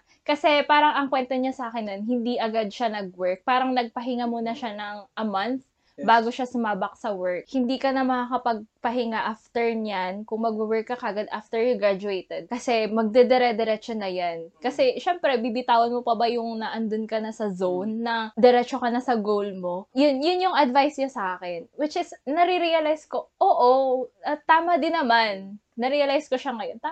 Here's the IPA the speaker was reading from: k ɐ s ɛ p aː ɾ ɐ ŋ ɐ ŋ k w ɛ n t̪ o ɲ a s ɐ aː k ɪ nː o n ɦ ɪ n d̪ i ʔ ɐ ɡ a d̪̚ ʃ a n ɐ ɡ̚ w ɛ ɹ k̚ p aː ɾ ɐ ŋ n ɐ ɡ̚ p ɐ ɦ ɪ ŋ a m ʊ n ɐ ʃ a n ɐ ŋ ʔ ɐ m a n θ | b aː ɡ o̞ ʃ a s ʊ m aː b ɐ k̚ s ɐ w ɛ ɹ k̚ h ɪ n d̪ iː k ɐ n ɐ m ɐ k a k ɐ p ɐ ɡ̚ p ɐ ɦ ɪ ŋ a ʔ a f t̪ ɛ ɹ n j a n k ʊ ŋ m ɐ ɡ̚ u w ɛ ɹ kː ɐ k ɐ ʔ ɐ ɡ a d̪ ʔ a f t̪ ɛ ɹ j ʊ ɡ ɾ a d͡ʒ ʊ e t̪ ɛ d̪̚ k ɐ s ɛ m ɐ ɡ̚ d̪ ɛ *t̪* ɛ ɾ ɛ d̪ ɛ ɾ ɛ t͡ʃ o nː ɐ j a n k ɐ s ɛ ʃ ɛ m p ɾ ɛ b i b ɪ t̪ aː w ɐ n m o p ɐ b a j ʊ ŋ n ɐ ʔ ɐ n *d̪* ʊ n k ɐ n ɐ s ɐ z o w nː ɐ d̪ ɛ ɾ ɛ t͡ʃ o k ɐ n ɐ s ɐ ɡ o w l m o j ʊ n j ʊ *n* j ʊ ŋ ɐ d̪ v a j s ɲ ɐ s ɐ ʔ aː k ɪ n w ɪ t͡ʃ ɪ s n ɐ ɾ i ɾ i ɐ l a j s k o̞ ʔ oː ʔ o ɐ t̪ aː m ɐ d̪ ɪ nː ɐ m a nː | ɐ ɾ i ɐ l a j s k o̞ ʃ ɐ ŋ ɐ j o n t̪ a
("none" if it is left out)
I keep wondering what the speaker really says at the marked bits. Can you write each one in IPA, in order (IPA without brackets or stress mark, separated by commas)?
d̪, d̪, n